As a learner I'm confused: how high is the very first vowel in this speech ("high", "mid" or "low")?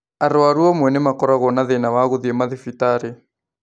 low